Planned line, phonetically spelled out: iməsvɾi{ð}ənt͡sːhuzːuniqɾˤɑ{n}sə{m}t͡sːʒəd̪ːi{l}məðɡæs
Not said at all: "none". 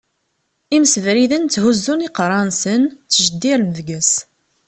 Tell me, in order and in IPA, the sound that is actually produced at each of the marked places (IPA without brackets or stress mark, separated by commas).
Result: ð, n, n, ɾ